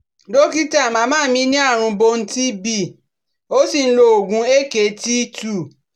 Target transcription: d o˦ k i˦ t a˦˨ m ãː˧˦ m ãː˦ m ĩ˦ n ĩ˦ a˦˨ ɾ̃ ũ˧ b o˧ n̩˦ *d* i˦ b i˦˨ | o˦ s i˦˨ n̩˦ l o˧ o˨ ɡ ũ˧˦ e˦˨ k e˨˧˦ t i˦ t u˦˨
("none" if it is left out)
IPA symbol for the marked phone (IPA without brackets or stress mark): t